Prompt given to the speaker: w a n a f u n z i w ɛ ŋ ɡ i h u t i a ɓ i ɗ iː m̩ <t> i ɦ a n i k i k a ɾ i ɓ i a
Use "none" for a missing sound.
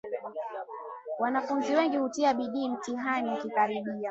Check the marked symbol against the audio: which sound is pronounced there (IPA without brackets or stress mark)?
t